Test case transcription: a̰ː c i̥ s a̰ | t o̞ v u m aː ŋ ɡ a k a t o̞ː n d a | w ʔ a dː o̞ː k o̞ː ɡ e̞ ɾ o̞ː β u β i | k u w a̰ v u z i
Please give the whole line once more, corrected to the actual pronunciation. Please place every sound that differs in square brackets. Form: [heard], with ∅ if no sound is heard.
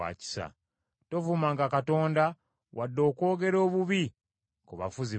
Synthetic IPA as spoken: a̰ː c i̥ s a̰ | t o̞ v u m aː ŋ ɡ a k a t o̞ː n d a | w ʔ a dː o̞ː k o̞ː ɡ e̞ ɾ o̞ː β u β i | k u [β] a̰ [f] u z i